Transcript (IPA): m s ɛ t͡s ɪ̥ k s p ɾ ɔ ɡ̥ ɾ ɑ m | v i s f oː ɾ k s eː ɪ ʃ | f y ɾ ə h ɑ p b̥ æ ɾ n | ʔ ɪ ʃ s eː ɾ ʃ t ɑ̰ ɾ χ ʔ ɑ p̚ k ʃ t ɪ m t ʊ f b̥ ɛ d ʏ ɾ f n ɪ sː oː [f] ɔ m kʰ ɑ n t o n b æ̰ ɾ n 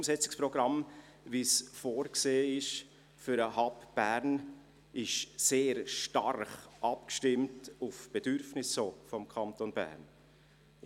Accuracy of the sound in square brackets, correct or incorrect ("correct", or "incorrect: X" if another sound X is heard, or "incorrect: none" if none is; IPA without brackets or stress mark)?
correct